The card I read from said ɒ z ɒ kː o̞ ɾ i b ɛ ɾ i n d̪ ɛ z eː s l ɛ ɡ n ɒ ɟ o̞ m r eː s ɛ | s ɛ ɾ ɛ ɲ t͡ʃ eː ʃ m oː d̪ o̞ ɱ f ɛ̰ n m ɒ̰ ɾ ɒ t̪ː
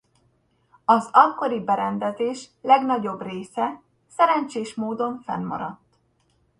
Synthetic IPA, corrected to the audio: ɒ z ɒ kː o̞ ɾ i b ɛ ɾ ɛ n d̪ ɛ z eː ʃ l ɛ ɡ n ɒ ɟ o̞ b r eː s ɛ | s ɛ ɾ ɛ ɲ t͡ʃ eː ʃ m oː d̪ o̞ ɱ f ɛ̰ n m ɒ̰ ɾ ɒ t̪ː